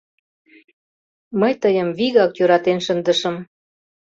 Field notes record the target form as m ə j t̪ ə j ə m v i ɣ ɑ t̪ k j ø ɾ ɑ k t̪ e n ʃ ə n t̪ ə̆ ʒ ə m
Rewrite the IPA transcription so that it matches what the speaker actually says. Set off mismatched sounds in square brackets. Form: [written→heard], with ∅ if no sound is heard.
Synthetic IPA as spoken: m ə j t̪ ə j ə m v i ɣ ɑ [t̪→∅] k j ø ɾ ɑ [k→∅] t̪ e n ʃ ə n [t̪→d̪] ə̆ [ʒ→ʃ] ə m